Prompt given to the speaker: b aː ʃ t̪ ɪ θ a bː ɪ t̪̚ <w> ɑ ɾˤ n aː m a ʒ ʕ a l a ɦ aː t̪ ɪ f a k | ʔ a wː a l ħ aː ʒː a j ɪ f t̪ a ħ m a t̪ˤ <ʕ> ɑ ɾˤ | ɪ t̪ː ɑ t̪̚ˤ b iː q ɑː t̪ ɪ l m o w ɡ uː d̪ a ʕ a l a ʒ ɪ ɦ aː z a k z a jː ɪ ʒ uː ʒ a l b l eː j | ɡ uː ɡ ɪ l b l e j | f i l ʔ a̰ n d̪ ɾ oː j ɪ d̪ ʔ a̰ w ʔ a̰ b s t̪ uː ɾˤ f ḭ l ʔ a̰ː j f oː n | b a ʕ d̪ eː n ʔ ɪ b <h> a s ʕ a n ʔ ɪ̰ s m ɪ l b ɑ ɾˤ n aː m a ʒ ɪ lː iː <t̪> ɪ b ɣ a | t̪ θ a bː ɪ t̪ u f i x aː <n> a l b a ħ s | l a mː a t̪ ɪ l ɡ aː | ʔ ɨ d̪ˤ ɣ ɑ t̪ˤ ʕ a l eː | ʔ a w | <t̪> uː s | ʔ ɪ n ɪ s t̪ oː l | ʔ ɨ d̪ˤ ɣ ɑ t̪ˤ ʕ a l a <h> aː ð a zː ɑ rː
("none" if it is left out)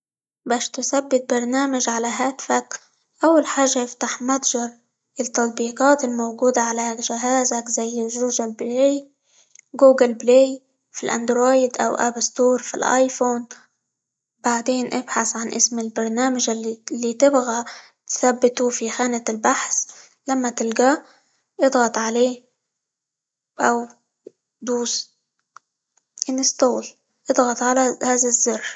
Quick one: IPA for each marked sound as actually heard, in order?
b, ʒ, ħ, t̪, n, d̪, h

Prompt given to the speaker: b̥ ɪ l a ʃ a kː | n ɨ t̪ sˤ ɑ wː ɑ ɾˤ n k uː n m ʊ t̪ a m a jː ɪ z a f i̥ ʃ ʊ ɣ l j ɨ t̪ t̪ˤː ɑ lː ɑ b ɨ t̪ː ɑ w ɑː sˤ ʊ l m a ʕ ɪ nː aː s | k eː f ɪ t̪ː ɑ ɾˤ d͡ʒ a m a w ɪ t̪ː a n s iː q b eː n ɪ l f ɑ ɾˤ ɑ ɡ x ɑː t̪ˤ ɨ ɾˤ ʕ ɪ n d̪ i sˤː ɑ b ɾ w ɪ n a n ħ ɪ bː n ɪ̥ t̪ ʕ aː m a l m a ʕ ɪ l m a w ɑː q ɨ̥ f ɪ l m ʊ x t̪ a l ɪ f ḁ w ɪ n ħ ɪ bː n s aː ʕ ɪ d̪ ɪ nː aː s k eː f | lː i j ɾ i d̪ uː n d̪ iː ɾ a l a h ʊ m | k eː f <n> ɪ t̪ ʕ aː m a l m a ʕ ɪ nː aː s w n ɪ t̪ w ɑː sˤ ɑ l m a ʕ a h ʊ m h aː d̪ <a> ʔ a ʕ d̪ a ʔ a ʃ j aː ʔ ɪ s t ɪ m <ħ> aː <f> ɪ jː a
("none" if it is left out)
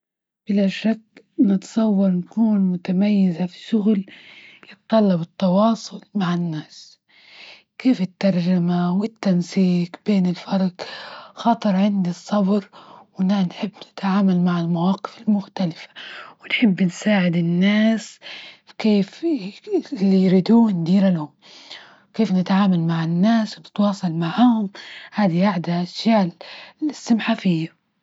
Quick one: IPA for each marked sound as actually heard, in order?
n, i, ħ, f

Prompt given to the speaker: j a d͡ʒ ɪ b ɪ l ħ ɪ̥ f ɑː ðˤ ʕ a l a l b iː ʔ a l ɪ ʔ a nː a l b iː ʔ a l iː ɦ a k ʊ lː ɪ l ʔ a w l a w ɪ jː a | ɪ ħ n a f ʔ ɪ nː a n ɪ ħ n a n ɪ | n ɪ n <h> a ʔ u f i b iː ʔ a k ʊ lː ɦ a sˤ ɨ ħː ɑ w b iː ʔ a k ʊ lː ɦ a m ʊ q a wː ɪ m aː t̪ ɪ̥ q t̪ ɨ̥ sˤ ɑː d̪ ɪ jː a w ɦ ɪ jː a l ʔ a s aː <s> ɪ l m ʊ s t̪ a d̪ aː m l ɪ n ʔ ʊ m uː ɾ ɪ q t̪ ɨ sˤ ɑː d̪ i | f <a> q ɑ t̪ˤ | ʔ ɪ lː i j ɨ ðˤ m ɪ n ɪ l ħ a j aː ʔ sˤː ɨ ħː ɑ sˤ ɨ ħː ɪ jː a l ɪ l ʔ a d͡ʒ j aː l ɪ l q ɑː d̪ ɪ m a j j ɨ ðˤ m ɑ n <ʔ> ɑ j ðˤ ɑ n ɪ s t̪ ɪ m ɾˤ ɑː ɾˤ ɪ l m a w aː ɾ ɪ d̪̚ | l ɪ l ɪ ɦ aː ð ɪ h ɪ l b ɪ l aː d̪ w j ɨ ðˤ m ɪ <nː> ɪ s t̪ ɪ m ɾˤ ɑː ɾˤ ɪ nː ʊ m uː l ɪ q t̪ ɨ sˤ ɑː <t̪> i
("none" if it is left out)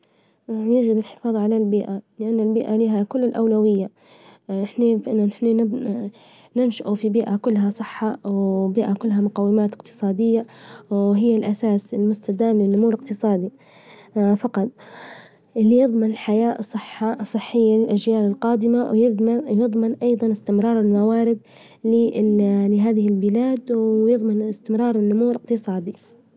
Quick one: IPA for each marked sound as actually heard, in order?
ʃ, s, ɑ, ʔ, n, d̪

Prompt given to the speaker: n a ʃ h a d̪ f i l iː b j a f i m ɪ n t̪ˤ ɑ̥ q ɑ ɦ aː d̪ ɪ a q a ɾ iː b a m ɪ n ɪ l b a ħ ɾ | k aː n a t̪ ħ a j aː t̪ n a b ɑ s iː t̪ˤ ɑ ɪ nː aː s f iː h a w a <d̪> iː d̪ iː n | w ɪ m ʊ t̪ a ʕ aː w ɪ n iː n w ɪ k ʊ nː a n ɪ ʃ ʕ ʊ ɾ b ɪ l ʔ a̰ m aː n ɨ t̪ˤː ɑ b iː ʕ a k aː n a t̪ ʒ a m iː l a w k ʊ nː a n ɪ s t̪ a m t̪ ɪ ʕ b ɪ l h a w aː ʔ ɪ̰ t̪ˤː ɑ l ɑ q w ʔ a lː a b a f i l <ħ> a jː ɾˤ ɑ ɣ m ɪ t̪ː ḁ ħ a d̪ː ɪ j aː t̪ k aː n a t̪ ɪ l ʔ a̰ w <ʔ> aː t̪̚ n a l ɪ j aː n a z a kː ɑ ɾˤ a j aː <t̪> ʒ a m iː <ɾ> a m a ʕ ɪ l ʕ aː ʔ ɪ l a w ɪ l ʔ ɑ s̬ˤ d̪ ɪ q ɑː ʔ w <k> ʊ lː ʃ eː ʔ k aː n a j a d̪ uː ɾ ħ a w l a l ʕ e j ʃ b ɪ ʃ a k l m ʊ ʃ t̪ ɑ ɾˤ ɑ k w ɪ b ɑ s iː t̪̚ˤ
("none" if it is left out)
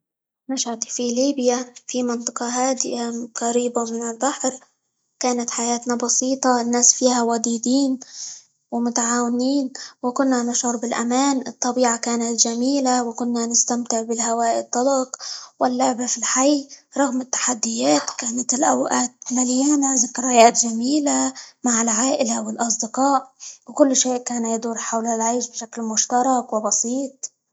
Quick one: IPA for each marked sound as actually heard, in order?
d̪, ħ, ʔ, t̪, l, k

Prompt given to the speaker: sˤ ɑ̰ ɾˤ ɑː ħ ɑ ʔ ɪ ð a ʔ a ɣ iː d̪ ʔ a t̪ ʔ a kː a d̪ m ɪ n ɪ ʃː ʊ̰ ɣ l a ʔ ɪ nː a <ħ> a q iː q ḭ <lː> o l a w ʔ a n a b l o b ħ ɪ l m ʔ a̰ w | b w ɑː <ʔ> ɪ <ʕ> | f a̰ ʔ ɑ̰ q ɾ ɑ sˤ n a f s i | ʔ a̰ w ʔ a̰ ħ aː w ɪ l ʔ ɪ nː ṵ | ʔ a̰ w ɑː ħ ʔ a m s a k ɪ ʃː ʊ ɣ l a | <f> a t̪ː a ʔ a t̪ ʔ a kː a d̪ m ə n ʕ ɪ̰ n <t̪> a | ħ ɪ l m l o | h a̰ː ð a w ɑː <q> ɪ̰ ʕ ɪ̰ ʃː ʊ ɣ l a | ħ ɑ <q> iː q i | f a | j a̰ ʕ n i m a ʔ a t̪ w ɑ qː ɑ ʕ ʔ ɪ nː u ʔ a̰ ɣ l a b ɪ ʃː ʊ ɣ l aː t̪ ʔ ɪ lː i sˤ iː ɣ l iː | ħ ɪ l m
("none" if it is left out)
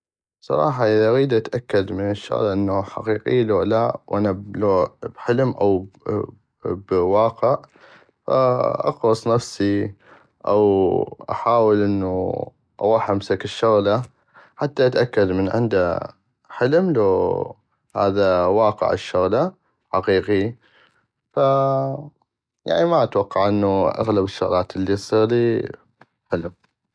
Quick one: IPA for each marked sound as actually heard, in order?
ħ, l, q, ʕ, ħ, d̪, q, q

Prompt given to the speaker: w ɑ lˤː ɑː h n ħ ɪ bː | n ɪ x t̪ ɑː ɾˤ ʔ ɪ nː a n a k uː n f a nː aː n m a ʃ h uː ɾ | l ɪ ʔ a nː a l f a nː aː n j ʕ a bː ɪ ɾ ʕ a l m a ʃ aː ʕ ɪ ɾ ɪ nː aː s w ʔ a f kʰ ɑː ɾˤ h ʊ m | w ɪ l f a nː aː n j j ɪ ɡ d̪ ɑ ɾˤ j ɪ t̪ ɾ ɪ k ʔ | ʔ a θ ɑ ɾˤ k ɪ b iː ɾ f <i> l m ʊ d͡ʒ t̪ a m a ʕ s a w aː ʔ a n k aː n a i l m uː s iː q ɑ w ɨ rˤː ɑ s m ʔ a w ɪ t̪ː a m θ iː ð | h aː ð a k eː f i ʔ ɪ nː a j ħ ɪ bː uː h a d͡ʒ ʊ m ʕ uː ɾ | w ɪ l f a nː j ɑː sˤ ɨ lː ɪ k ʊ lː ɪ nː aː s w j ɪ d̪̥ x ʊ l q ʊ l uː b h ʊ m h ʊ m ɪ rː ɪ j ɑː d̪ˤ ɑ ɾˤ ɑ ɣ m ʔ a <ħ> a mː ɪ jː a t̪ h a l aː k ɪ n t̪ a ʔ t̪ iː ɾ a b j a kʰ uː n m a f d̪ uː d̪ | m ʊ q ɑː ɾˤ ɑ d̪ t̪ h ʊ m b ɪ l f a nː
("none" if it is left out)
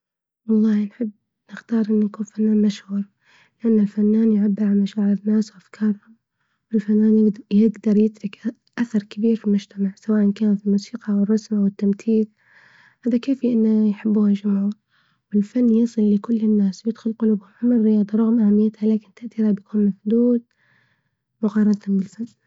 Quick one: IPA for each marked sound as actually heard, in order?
i, h

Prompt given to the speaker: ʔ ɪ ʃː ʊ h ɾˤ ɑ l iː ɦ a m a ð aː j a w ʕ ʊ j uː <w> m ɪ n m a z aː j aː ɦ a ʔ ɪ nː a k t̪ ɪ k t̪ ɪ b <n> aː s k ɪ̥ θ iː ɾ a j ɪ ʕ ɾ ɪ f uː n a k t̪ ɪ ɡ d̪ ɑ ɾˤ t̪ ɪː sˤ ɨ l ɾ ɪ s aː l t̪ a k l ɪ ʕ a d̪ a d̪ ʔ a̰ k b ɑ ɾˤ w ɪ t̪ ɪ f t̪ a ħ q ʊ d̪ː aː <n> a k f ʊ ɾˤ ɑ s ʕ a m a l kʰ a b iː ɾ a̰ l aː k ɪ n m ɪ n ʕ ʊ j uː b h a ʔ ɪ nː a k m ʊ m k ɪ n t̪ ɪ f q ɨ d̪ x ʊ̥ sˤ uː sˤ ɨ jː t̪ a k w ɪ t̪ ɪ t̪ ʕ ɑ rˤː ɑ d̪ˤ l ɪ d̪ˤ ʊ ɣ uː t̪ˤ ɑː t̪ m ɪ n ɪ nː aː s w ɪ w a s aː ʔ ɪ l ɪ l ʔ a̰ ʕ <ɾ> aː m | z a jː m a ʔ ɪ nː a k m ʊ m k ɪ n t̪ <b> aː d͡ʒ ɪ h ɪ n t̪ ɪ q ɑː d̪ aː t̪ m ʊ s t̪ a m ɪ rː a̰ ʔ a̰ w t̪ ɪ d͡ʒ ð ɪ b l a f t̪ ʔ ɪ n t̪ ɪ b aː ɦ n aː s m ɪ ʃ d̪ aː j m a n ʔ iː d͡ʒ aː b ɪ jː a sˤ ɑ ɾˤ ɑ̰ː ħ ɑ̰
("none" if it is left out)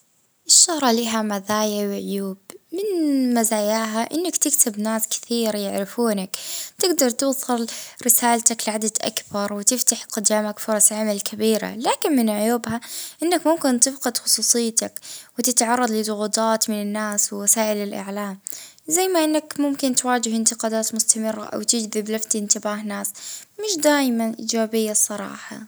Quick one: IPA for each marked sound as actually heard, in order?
b, n, m, l, w

